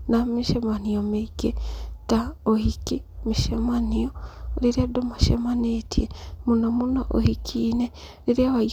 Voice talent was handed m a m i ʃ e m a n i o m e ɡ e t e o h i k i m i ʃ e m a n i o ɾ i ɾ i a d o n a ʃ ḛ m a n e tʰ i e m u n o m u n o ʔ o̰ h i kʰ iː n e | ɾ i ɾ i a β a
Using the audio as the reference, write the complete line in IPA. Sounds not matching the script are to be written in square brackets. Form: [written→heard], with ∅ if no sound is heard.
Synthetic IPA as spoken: [m→n] a m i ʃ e m a n i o m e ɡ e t [e→a] o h i k i m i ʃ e m a n i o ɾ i ɾ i a d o [n→m] a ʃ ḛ m a n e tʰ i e m u n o m u n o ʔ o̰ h i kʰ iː n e | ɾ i ɾ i a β a